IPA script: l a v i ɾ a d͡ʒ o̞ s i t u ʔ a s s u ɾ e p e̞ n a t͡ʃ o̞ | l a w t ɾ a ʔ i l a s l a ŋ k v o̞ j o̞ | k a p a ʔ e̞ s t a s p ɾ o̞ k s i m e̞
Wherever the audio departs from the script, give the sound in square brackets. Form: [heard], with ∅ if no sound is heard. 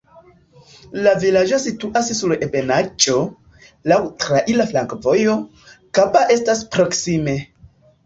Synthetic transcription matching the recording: l a v i [l] a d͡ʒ o̞ s i t u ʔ a s s u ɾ e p e̞ n a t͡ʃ o̞ | l a w t ɾ a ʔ i l a [f] l a ŋ k v o̞ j o̞ | k a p a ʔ e̞ s t a s p ɾ o̞ k s i m e̞